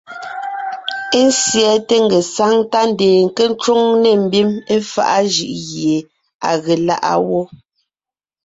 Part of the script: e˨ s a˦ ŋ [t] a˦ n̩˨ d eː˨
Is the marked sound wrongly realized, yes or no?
no